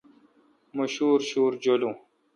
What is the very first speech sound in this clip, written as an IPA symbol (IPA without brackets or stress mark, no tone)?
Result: m